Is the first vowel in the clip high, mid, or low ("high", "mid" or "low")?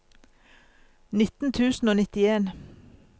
high